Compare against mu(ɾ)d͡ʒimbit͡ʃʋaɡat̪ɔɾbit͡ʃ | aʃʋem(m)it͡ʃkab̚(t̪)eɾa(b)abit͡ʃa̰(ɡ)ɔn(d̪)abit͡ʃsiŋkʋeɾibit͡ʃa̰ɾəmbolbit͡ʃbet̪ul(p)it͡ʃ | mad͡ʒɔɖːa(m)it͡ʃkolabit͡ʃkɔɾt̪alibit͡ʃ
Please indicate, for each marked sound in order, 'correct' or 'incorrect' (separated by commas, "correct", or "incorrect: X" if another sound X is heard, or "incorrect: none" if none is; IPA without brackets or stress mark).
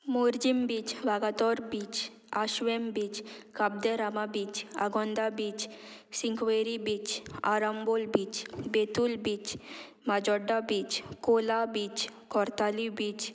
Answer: correct, incorrect: b, incorrect: d̪, incorrect: m, correct, correct, incorrect: b, incorrect: b